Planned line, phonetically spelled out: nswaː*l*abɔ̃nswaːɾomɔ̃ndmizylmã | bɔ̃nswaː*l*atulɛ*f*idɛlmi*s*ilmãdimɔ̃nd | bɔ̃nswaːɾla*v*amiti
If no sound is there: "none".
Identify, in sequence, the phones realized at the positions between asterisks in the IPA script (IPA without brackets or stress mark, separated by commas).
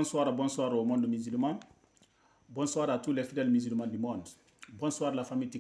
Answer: ɾ, ɾ, f, z, f